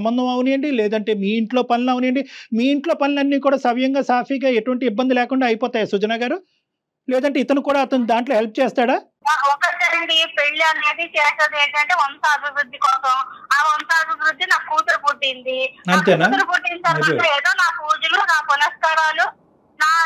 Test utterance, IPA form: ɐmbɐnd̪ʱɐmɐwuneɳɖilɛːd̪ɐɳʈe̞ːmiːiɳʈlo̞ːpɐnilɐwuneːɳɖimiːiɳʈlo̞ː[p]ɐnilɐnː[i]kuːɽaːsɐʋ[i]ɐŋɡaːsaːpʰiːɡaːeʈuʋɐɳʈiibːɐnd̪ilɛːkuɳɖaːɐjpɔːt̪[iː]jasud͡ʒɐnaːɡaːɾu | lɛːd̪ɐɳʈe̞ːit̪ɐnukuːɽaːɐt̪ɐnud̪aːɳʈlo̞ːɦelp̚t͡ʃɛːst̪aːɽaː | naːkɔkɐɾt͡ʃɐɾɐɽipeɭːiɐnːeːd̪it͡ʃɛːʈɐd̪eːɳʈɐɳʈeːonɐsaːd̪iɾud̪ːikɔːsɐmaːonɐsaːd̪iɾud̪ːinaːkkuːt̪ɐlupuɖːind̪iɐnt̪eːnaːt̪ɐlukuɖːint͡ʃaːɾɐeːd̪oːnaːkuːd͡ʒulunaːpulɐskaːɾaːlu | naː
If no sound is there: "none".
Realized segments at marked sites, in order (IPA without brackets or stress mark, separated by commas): p, iː, j, aː